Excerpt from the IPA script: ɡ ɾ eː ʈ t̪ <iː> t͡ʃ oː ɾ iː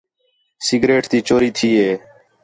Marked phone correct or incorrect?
correct